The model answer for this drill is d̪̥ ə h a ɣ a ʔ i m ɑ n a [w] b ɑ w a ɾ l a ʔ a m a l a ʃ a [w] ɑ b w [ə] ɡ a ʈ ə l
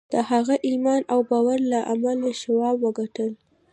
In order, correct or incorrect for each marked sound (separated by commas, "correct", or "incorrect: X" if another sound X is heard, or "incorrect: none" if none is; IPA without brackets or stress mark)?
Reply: correct, correct, correct